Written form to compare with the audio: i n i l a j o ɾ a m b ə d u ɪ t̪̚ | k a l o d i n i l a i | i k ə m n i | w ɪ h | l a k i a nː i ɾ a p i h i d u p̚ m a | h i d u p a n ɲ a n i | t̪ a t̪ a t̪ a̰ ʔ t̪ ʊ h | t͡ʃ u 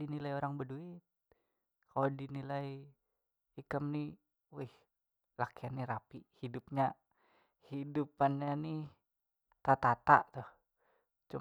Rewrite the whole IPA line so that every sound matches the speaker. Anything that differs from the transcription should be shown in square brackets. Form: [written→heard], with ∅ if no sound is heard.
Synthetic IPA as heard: i n i l a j o ɾ a [m→ŋ] b ə d u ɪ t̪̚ | k a l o d i n i l a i | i k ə m n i | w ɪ h | l a k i a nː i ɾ a p i h i d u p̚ [m→ɲ] a | h i d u p a n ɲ a n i | t̪ a t̪ a t̪ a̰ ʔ t̪ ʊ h | t͡ʃ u